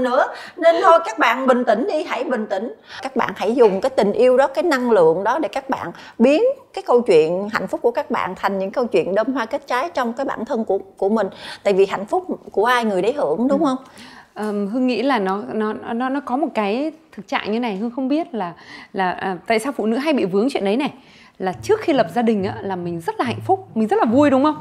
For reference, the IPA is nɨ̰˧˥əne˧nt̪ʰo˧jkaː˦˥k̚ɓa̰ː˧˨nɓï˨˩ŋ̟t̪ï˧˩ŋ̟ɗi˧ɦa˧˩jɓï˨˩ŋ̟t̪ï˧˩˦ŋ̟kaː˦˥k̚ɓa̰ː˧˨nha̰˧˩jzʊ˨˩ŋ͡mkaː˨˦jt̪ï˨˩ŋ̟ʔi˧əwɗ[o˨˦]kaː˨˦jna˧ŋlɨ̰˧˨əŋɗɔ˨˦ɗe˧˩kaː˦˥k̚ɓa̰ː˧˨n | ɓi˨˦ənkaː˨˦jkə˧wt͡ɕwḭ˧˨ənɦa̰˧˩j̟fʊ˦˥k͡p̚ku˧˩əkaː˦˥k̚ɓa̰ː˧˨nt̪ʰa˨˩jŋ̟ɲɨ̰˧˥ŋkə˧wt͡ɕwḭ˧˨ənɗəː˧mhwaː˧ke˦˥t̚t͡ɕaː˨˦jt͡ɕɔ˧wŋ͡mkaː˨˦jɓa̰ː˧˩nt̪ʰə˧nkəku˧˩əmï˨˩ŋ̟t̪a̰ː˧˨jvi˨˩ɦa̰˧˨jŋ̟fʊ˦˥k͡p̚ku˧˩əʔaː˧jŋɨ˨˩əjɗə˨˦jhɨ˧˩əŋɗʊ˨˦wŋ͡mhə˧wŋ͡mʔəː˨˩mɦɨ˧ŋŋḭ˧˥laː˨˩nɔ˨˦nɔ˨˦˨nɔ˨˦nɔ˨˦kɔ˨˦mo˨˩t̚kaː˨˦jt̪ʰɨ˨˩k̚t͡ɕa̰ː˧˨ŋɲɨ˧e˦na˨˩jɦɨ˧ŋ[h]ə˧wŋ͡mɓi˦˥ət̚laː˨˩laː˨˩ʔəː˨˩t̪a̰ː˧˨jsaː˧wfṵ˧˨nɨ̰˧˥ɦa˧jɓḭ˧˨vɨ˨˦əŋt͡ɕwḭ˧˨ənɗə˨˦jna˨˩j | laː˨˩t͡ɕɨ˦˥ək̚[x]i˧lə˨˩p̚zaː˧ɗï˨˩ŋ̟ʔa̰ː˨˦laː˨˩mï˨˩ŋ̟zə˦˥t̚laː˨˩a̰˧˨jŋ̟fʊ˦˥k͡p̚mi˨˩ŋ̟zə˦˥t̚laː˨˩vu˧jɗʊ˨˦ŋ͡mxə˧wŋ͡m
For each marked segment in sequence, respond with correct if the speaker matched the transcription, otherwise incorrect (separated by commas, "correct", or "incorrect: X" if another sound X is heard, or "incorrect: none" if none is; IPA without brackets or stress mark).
incorrect: ɔ˨˦, incorrect: x, correct